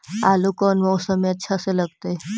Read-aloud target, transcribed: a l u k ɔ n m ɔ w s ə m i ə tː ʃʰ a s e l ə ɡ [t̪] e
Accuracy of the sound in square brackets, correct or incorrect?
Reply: correct